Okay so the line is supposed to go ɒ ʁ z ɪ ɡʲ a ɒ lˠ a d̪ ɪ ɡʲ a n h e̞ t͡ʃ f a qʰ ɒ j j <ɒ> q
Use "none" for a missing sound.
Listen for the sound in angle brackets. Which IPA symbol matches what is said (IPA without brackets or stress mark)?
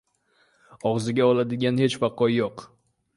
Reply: o